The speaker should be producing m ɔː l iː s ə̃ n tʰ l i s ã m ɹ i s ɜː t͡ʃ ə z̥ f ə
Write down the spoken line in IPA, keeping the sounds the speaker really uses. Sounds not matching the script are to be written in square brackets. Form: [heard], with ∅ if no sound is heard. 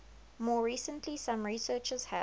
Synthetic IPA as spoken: m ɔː [ɹ] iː s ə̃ n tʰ l i s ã m ɹ i s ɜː t͡ʃ ə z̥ [h] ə